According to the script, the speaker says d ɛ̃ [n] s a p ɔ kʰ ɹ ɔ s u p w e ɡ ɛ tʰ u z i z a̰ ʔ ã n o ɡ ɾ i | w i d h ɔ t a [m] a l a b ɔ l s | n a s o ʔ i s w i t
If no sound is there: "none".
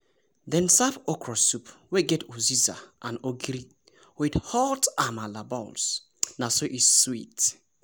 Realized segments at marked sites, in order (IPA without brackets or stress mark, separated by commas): n, m